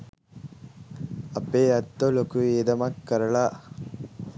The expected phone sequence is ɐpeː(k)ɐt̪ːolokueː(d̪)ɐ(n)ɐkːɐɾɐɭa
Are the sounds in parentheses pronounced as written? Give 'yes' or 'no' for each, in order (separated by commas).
no, yes, no